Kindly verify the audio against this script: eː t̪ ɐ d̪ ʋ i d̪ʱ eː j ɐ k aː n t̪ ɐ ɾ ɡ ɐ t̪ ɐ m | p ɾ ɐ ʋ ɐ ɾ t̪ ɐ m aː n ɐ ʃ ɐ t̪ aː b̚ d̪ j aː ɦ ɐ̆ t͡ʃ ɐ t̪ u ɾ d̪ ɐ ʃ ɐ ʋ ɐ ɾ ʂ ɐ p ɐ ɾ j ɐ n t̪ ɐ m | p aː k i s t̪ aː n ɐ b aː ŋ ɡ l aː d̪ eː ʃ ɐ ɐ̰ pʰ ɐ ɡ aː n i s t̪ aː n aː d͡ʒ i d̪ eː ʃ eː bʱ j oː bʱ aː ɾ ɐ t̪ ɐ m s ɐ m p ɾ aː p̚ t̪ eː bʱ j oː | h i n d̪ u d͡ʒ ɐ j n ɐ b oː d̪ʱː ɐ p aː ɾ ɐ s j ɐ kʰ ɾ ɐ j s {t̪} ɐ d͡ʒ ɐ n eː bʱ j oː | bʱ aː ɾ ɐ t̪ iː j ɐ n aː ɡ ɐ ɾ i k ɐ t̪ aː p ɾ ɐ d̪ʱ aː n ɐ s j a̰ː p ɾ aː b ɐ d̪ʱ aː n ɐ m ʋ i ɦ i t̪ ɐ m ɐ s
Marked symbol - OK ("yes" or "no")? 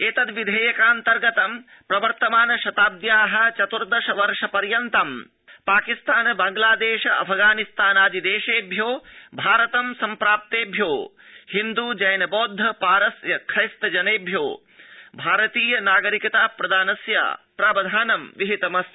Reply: yes